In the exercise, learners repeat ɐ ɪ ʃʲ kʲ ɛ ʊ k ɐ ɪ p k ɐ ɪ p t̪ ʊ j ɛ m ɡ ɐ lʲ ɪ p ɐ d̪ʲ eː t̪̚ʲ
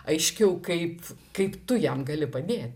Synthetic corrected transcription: ɐ ɪ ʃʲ kʲ ɛ ʊ k ɐ ɪ p k ɐ ɪ p t̪ ʊ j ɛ m ɡ ɐ lʲ ɪ p ɐ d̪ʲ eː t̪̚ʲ